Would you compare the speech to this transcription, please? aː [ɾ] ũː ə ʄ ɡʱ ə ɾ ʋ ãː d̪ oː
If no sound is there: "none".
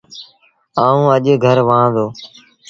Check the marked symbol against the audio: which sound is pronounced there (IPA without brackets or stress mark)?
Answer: none